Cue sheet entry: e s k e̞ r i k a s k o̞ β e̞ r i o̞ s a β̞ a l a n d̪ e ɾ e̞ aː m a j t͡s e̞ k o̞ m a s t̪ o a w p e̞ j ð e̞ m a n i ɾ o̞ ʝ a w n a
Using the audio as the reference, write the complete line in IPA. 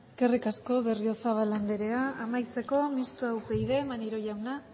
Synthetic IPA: e s k e̞ r i k a s k o̞ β e̞ r i o̞ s a β̞ a l a n d̪ e ɾ e̞ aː m a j t͡s e̞ k o̞ m i s t̪ o a w p e̞ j ð e̞ m a n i ɾ o̞ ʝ a w n a